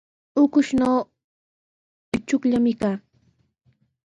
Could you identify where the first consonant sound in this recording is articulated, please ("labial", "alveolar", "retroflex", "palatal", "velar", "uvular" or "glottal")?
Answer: velar